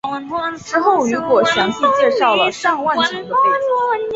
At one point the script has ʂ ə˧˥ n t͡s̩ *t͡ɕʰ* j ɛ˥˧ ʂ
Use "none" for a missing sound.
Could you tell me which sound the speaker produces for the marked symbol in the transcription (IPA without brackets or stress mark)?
t͡ɕ